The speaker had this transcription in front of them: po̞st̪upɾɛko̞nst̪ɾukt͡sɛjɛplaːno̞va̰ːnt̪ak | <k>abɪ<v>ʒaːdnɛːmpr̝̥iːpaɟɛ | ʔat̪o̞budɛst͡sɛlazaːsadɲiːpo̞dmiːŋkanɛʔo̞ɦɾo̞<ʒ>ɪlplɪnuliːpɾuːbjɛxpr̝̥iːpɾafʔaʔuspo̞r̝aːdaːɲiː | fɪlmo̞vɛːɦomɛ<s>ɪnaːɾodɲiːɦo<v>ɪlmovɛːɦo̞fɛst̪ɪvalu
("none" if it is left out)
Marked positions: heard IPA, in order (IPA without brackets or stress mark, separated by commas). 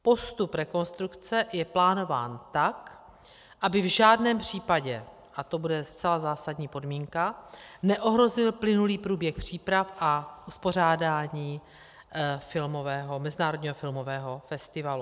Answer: ʔ, v, z, z, f